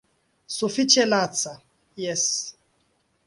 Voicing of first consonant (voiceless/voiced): voiceless